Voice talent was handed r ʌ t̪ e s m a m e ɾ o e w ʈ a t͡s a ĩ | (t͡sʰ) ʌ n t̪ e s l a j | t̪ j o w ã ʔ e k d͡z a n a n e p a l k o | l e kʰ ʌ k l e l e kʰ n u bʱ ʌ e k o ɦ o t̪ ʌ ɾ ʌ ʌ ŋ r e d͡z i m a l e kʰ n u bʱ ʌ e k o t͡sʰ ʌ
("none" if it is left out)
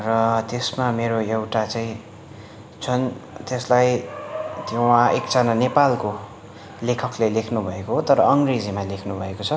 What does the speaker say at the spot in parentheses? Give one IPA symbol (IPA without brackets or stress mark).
t͡sʰ